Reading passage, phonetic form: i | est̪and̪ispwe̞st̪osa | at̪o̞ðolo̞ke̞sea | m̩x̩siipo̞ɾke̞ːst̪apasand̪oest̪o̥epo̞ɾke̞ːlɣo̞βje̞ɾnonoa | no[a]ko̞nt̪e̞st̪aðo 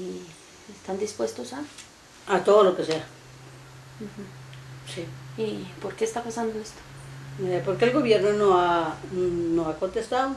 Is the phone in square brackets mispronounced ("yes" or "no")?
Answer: no